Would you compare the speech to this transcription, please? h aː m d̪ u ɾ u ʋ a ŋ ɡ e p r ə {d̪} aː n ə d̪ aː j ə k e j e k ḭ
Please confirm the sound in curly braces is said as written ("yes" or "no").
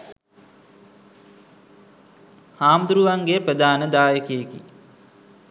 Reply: yes